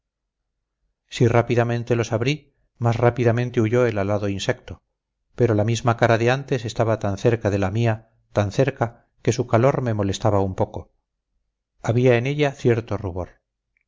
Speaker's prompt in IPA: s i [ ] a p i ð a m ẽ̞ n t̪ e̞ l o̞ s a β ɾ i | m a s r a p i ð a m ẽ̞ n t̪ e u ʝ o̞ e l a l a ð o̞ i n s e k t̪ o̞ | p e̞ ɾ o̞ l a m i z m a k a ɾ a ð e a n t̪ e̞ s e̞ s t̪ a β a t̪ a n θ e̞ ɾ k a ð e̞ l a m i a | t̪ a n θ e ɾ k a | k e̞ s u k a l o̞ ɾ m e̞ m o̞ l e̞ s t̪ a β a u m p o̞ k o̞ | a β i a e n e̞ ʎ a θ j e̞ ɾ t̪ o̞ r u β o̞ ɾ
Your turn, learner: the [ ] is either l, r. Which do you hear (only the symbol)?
r